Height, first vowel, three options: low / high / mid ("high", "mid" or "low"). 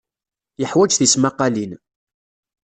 mid